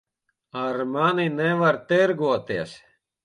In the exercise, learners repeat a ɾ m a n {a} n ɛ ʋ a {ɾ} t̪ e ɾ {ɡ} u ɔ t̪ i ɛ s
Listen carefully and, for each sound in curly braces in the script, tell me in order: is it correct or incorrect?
incorrect, correct, correct

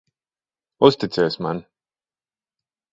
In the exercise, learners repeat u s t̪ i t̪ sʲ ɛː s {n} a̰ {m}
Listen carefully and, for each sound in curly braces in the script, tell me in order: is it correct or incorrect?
incorrect, incorrect

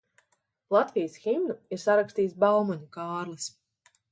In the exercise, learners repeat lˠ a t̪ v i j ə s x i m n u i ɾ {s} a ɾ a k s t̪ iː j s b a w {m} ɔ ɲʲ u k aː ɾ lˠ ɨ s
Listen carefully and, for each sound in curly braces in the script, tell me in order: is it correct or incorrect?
correct, correct

